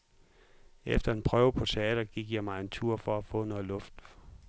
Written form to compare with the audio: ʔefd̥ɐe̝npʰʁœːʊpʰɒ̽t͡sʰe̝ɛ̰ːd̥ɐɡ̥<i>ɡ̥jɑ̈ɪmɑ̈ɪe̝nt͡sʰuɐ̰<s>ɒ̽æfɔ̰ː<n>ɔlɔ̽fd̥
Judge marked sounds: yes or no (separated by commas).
yes, no, yes